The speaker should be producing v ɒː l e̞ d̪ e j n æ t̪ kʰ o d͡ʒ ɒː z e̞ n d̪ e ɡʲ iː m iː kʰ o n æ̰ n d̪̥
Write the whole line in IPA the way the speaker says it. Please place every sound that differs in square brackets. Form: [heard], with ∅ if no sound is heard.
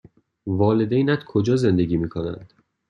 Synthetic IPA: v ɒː l e̞ d̪ e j n æ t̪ kʰ o d͡ʒ ɒː z e̞ n d̪ e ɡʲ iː m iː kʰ o n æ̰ n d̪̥

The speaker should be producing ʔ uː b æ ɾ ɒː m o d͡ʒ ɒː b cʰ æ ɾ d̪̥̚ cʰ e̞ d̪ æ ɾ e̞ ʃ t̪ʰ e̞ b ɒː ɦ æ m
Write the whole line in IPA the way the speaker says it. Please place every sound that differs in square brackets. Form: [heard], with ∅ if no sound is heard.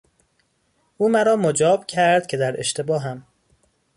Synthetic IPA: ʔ uː [m] æ ɾ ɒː m o d͡ʒ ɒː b cʰ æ ɾ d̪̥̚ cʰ e̞ d̪ æ ɾ e̞ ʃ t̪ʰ e̞ b ɒː ɦ æ m

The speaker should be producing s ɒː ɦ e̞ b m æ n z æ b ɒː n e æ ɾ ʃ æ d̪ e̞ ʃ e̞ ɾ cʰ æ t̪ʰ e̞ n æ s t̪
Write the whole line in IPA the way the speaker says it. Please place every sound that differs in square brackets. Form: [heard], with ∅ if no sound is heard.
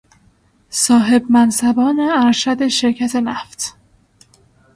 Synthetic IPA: s ɒː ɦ e̞ b m æ n [s] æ b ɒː n e æ ɾ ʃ æ d̪ e̞ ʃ e̞ ɾ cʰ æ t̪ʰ e̞ n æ [f] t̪

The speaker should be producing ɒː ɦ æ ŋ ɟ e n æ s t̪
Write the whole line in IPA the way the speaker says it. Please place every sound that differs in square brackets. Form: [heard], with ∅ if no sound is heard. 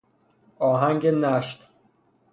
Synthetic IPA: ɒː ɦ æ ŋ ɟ e n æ [ʃ] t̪

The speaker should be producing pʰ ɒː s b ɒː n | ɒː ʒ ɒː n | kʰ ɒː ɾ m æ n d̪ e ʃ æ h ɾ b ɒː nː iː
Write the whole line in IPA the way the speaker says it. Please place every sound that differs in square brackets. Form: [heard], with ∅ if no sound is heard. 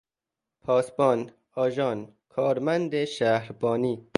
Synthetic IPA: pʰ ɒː s b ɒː n | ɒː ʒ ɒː n | kʰ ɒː ɾ m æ n d̪ e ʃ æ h ɾ b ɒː [n] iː

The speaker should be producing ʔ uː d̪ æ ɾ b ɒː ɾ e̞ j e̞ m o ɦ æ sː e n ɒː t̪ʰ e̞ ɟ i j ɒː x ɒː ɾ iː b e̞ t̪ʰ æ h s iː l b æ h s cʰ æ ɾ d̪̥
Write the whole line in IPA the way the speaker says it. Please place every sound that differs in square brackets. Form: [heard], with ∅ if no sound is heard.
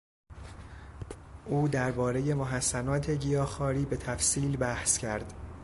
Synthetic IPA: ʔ uː d̪ æ ɾ b ɒː ɾ e̞ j e̞ m o ɦ æ sː [æ] n ɒː t̪ʰ e̞ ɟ i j ɒː x ɒː ɾ iː b e̞ t̪ʰ æ [f] s iː l b æ h s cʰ æ ɾ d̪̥

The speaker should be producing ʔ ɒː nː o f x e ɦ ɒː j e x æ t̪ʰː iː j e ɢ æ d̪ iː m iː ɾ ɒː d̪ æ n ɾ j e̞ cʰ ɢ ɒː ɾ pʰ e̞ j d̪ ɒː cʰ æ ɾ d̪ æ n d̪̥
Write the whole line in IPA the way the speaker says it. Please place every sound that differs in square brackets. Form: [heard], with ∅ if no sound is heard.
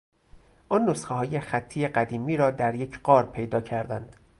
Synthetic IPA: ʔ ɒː nː o [s] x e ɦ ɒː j e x æ t̪ʰː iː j e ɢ æ d̪ iː m iː ɾ ɒː d̪ æ [∅] ɾ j e̞ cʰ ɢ ɒː ɾ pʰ e̞ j d̪ ɒː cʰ æ ɾ d̪ æ n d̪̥

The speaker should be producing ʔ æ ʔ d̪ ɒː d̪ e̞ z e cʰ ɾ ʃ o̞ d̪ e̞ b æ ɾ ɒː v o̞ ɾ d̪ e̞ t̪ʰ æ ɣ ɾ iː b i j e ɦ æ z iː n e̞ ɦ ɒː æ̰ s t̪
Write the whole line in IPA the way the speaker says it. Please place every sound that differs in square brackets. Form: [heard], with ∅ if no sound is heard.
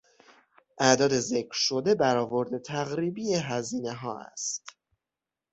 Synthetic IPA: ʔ æ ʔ d̪ ɒː d̪ e̞ z e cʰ ɾ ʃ o̞ d̪ e̞ b æ ɾ ɒː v o̞ ɾ d̪ e̞ t̪ʰ æ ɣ ɾ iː b i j e ɦ æ z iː n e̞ ɦ ɒː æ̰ s t̪

